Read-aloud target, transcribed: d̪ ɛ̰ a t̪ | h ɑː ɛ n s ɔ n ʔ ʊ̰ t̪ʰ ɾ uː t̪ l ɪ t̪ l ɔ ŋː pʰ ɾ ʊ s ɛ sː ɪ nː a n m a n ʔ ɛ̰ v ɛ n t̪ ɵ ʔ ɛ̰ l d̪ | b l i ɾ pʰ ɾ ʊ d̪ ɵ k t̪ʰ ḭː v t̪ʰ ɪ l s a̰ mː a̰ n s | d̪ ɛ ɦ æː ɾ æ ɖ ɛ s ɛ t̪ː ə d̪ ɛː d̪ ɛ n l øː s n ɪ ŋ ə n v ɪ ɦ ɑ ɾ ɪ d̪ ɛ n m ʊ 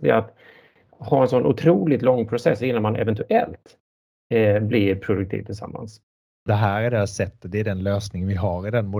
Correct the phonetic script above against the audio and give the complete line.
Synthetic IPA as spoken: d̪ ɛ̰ a t̪ | h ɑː ɛ n s ɔ n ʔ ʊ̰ t̪ʰ ɾ uː l ɪ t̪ l ɔ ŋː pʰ ɾ ʊ s ɛ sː ɪ nː a n m a n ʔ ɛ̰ v ɛ n t̪ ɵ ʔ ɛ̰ l t̪ | b l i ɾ pʰ ɾ ʊ d̪ ɵ k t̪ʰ ḭː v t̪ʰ ɪ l s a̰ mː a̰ n s | d̪ ɛ ɦ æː ɾ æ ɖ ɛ s ɛ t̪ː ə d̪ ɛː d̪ ɛ n l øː s n ɪ ŋ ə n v ɪ ɦ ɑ ɾ ɪ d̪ ɛ n m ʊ